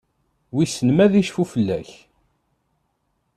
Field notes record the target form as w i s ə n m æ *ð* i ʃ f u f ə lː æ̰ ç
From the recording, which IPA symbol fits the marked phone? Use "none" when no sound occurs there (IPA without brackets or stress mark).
ð